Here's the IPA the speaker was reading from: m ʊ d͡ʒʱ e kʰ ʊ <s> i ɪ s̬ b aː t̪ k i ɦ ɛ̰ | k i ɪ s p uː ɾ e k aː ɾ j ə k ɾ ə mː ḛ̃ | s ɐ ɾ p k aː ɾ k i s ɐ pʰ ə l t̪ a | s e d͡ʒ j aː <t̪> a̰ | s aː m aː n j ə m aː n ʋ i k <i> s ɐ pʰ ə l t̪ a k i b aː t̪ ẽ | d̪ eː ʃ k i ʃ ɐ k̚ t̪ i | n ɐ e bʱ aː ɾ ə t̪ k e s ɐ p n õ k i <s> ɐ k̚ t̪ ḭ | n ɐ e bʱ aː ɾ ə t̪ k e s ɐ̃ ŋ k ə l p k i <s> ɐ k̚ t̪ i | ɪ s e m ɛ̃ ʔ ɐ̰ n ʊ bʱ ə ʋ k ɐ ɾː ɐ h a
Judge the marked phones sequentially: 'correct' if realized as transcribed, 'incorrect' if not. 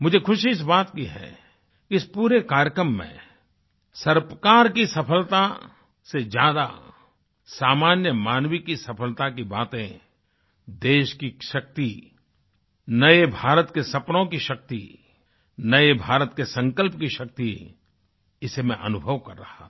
incorrect, incorrect, correct, incorrect, incorrect

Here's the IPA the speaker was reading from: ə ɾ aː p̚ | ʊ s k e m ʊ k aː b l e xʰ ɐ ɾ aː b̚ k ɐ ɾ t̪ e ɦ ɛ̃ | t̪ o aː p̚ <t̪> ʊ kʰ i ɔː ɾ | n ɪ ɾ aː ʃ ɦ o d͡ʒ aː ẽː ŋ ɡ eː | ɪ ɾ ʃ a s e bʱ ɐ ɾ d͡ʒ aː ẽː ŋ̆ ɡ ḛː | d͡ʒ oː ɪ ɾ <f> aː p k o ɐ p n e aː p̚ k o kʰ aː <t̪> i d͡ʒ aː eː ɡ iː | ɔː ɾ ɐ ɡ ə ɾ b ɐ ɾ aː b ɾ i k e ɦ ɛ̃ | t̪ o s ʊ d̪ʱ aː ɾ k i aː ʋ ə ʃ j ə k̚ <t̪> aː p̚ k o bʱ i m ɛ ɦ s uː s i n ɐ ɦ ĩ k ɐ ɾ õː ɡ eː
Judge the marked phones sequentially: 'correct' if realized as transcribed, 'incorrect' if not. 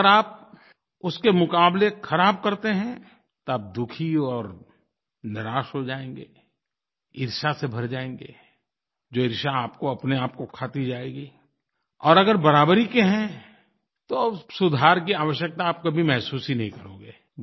incorrect, incorrect, correct, correct

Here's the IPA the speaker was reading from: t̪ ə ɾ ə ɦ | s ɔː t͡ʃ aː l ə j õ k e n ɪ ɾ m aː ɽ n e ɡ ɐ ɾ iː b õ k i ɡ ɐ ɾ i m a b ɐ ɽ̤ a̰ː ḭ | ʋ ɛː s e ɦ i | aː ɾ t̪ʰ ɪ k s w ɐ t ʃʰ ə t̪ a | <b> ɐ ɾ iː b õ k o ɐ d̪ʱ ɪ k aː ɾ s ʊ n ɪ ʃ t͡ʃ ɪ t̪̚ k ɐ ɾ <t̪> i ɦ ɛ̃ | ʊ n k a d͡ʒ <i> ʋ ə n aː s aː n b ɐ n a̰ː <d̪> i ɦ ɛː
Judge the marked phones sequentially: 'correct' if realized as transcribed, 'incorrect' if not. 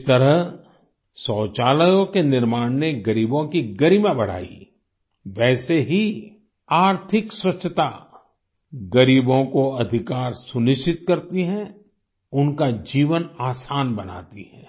incorrect, correct, incorrect, incorrect

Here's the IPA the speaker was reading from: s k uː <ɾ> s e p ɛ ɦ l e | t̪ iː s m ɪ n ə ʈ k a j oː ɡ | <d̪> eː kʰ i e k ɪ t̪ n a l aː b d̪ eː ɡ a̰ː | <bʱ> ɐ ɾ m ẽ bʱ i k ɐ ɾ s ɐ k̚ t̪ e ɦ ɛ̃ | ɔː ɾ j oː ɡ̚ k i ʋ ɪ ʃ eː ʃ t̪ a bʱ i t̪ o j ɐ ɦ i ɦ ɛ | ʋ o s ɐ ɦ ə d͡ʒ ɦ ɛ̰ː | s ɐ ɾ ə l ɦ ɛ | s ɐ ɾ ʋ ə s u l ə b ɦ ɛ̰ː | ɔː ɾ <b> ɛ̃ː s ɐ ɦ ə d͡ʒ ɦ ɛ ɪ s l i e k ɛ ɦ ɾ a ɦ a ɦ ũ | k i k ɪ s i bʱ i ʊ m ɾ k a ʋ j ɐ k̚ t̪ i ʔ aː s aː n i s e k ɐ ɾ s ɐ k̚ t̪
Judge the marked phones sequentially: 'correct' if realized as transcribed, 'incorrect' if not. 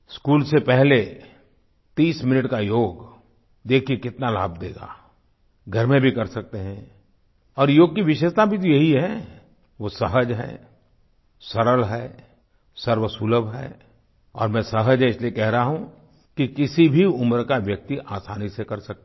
incorrect, correct, incorrect, incorrect

